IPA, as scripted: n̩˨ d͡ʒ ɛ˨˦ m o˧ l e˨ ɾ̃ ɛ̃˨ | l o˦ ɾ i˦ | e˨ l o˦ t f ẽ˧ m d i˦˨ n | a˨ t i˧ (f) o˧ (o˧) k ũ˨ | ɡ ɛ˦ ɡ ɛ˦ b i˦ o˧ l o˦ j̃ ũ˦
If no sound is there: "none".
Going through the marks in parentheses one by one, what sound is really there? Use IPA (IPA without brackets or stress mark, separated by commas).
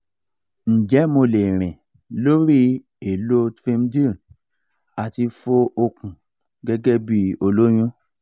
f, o˧